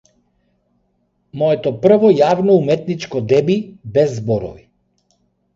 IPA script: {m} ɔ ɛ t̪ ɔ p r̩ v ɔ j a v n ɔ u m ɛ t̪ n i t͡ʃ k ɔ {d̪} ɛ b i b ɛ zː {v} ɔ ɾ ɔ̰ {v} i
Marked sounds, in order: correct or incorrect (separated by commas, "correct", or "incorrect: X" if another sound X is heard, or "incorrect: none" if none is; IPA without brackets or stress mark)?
correct, correct, incorrect: b, correct